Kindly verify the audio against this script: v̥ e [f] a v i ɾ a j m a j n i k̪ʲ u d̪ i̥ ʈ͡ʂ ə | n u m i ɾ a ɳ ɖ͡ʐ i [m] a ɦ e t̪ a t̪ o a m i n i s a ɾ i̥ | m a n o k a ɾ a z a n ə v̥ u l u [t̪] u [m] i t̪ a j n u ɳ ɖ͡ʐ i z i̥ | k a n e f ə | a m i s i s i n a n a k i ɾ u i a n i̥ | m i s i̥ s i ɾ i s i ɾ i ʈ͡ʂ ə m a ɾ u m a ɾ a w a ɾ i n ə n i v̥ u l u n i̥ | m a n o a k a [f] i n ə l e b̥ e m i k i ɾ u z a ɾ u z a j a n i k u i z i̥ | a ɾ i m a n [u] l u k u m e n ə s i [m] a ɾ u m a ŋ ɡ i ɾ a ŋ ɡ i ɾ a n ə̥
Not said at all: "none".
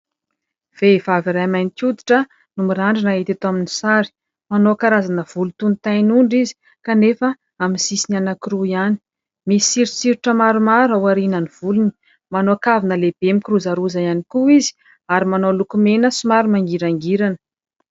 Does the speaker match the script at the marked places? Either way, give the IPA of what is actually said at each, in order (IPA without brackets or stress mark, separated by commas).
v, n, t̪, n, v, o, m